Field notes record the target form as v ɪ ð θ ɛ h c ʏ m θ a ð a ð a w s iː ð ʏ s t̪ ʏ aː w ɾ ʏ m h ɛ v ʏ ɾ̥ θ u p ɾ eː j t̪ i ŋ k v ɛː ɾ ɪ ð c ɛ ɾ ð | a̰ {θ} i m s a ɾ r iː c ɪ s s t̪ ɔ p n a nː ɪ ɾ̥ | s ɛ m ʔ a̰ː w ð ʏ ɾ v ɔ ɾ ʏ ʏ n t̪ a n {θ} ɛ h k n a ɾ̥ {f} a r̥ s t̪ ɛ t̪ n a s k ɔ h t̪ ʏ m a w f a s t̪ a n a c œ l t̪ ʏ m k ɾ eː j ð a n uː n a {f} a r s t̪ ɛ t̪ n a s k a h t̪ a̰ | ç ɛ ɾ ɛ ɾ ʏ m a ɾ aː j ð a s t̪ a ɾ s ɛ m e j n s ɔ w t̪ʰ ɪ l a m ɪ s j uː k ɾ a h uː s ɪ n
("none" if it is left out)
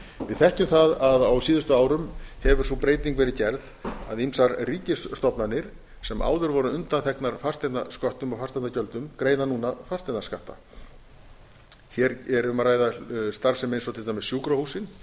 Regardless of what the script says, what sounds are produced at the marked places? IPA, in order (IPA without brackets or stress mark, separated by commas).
ð, θ, f, f